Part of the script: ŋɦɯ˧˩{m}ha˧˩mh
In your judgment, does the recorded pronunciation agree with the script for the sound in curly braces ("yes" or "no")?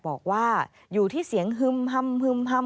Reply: yes